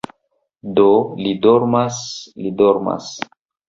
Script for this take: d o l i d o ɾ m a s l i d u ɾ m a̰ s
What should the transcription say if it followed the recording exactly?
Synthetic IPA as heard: d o l i d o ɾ m a s l i d o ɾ m a̰ s